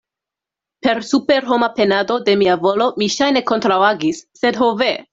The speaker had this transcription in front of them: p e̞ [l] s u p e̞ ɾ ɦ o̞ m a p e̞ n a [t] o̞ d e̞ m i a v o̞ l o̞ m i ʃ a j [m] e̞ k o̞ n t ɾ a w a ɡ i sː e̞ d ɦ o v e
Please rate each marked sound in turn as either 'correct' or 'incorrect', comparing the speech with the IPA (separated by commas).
incorrect, incorrect, incorrect